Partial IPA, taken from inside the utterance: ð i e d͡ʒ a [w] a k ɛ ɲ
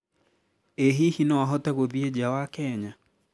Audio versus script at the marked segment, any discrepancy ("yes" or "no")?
no